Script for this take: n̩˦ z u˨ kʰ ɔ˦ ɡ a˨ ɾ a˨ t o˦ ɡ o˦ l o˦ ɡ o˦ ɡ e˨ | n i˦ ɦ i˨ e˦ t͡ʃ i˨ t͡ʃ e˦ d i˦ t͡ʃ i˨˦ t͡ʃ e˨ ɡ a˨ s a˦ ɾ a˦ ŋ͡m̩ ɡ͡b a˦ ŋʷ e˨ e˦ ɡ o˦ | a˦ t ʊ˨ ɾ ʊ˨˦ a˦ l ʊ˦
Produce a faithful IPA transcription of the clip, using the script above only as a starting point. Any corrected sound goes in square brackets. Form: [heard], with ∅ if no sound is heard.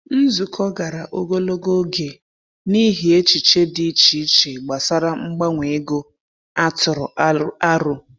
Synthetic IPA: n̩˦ z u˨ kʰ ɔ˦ ɡ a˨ ɾ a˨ [ʔ] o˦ ɡ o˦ l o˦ ɡ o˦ ɡ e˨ | n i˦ ɦ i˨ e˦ t͡ʃ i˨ t͡ʃ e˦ d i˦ t͡ʃ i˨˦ t͡ʃ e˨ [ɡ͡b] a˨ s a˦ ɾ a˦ ŋ͡m̩ ɡ͡b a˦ ŋʷ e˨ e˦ ɡ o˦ | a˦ t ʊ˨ ɾ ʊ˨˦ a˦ [ɾ] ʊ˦